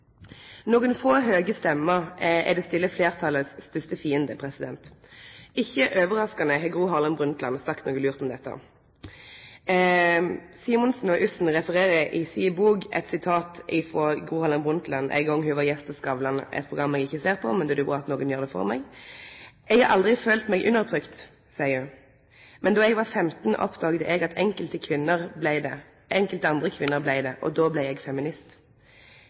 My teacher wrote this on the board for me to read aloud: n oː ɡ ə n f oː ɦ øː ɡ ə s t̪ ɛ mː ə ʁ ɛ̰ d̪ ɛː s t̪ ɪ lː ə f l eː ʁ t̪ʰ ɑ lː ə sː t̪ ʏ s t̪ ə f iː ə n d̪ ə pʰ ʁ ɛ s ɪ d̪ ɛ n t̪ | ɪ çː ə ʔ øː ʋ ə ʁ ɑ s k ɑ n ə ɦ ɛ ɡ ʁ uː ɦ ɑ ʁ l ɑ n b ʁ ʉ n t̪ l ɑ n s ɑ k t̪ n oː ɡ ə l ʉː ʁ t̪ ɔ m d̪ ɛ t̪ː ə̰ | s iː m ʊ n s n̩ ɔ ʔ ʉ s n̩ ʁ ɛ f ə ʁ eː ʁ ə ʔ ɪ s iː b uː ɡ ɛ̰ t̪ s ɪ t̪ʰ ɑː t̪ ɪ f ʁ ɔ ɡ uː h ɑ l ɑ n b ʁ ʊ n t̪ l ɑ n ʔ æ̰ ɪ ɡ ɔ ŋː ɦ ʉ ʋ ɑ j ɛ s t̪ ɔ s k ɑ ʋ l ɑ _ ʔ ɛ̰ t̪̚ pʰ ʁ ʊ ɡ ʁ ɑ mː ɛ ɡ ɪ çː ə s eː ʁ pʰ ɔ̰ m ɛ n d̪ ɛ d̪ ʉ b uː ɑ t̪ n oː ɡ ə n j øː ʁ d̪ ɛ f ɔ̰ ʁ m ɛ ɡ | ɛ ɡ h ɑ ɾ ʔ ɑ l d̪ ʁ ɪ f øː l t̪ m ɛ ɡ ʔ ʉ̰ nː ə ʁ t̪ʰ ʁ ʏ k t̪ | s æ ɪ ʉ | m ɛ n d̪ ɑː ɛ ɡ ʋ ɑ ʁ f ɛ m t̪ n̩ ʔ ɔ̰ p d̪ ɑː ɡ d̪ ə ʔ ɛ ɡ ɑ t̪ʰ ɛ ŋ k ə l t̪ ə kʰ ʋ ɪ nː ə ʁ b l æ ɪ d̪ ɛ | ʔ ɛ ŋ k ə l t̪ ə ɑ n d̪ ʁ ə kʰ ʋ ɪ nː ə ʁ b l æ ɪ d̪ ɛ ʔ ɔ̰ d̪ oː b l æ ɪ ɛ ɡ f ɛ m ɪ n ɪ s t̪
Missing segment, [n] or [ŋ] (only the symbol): n